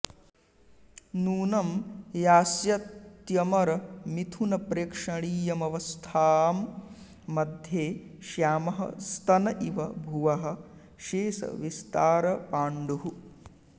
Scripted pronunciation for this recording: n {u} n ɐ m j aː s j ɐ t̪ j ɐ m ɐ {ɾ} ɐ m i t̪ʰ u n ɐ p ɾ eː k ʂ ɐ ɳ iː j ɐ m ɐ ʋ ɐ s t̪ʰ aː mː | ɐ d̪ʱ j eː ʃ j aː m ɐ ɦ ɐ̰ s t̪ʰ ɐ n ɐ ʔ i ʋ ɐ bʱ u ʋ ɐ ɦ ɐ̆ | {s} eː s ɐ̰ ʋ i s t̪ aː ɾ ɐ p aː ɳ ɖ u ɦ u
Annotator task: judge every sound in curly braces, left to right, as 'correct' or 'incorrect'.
incorrect: uː, correct, incorrect: ʃ

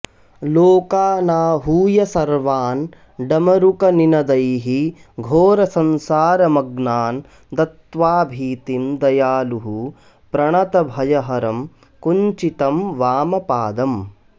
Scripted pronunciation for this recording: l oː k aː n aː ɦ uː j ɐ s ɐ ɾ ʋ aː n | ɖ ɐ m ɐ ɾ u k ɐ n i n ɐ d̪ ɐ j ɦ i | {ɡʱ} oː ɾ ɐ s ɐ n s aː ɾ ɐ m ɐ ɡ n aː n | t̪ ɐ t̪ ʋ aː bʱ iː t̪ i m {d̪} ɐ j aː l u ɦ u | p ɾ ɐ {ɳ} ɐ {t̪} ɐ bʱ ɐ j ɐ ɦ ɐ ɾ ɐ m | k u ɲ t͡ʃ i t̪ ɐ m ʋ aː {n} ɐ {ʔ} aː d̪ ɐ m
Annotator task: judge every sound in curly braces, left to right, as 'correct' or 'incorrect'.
correct, correct, correct, correct, incorrect: m, incorrect: p

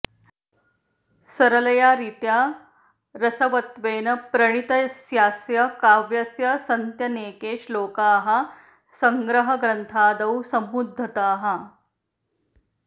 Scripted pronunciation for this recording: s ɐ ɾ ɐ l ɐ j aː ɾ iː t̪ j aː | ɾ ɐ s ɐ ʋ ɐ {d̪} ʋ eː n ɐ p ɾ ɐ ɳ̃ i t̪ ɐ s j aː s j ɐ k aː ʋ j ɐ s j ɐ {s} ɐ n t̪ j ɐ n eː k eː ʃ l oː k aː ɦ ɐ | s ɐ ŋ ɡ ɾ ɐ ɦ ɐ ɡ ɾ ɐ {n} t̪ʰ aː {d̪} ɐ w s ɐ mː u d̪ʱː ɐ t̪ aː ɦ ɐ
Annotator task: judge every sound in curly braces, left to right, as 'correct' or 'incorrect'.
incorrect: t̪, correct, correct, correct

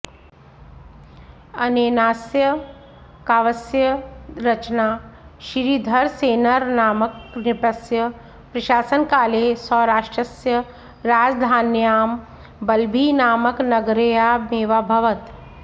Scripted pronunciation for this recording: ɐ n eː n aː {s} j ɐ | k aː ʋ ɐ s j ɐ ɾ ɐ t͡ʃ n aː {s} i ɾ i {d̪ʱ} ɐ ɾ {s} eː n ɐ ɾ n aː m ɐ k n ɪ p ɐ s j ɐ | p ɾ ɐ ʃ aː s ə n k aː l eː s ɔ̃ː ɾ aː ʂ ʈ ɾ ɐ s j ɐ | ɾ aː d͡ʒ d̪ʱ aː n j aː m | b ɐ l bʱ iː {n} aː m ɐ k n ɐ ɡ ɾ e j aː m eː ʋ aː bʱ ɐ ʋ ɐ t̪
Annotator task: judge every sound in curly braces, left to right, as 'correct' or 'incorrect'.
correct, incorrect: ʃ, correct, correct, correct

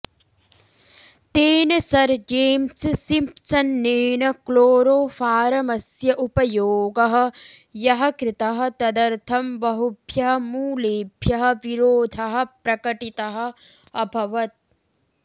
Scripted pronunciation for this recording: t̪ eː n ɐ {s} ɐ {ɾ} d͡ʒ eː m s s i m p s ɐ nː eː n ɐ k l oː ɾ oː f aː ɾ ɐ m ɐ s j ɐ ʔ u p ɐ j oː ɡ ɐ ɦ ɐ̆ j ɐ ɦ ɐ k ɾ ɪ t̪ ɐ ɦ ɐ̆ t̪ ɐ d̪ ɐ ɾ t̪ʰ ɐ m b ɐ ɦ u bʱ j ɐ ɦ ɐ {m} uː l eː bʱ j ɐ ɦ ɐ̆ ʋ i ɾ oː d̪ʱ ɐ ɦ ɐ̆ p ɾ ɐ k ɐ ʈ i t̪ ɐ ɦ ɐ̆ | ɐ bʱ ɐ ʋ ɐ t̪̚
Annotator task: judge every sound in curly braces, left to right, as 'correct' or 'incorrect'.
correct, correct, correct

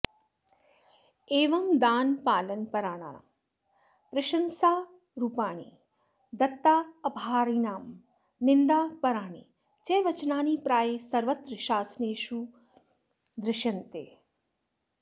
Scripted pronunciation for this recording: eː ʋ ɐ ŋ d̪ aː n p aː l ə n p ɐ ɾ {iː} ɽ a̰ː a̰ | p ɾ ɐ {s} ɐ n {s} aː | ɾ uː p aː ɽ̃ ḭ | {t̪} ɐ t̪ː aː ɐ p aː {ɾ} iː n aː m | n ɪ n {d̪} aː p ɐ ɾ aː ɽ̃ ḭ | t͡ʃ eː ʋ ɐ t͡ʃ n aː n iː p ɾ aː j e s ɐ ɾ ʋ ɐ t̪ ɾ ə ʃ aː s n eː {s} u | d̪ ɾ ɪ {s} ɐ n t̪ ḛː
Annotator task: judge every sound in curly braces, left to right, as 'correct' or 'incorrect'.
incorrect: aː, incorrect: ʃ, correct, incorrect: d̪, correct, correct, incorrect: ʃ, incorrect: ʃ

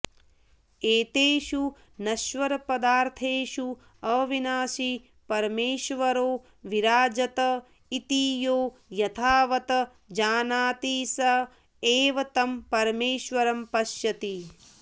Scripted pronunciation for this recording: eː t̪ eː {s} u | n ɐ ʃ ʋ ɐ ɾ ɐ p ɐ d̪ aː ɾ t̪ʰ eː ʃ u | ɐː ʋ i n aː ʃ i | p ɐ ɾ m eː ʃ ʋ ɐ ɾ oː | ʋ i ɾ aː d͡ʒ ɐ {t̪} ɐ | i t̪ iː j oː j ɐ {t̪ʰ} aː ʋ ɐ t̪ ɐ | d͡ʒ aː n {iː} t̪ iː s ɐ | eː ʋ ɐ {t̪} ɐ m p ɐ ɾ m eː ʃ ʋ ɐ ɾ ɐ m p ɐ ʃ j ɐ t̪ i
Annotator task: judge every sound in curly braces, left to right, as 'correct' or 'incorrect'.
incorrect: ʃ, correct, correct, incorrect: aː, correct

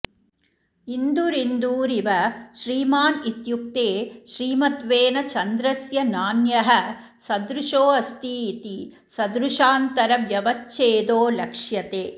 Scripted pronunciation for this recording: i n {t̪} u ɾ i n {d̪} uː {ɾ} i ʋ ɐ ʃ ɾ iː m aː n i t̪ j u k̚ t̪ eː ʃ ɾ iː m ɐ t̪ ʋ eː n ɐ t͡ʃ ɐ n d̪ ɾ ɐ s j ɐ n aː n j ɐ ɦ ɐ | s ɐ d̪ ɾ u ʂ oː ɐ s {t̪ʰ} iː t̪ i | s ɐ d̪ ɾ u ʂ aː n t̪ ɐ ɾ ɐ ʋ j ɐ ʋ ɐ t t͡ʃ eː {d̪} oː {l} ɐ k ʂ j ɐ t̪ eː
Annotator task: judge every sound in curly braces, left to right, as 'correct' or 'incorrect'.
incorrect: d̪, correct, correct, incorrect: t̪, correct, correct

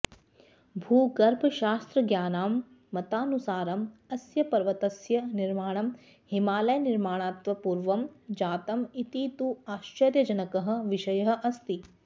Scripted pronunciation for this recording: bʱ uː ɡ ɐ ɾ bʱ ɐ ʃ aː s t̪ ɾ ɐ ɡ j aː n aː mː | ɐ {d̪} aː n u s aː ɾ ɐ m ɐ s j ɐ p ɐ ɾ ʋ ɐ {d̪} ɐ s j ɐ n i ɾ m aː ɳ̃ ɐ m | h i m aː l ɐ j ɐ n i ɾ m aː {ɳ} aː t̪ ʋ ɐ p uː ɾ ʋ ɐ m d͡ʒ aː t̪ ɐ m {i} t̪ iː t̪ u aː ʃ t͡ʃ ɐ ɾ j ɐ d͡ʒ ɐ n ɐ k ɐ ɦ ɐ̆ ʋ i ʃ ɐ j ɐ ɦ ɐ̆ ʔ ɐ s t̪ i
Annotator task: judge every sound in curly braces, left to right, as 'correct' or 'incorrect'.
incorrect: t̪, incorrect: t̪, correct, correct

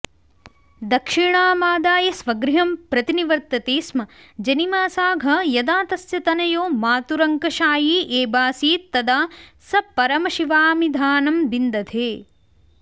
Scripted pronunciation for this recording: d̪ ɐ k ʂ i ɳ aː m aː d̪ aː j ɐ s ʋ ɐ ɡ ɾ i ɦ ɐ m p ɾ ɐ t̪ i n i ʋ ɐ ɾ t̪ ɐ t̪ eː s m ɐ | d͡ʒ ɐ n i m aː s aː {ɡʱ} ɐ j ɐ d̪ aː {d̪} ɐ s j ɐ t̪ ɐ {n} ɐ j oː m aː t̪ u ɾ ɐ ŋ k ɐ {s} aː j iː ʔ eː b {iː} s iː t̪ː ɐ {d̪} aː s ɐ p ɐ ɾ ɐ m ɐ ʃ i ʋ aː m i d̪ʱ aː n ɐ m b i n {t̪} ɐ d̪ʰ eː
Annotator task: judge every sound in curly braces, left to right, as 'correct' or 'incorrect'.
correct, incorrect: t̪, correct, incorrect: ʃ, incorrect: aː, correct, incorrect: d̪

